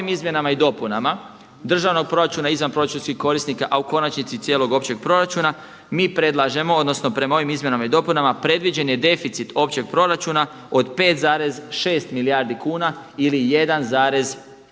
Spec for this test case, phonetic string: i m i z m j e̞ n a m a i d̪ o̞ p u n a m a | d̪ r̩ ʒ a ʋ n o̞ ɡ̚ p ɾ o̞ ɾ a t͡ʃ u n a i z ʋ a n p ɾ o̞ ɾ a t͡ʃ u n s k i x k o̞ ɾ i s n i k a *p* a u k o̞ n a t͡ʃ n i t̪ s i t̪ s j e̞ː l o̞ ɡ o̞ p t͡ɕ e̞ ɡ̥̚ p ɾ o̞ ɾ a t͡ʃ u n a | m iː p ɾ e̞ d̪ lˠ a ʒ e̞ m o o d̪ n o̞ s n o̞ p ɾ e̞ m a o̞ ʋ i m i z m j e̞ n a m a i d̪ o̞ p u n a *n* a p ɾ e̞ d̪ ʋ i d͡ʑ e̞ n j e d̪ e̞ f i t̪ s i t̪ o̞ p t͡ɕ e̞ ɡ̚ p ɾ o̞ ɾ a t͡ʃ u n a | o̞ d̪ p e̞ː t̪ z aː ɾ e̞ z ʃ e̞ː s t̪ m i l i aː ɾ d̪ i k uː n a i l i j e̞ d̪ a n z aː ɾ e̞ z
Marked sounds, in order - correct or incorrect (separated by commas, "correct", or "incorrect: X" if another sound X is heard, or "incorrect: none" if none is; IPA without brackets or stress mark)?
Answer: incorrect: ʔ, incorrect: m